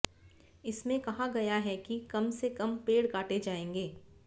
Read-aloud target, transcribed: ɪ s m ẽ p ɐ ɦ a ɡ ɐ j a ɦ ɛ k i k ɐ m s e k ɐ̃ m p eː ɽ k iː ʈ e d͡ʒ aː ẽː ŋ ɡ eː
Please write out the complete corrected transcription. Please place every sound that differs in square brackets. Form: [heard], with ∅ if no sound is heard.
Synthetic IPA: ɪ s m ẽ [k] ɐ ɦ a ɡ ɐ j a ɦ ɛ k i k ɐ m s e k [ɐ] m p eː ɽ k [aː] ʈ e d͡ʒ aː ẽː ŋ ɡ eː